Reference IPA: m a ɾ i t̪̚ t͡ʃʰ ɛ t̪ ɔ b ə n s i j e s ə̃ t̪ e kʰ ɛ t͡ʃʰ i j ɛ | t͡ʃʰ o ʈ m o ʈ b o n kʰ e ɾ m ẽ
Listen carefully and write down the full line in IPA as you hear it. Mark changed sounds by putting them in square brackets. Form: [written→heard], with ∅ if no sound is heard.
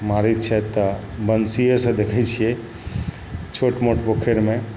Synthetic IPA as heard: m a ɾ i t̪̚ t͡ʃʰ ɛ t̪ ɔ b ə n s i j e s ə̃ [t̪→d̪] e kʰ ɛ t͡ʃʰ i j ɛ | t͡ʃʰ o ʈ m o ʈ b o [n→∅] kʰ e ɾ m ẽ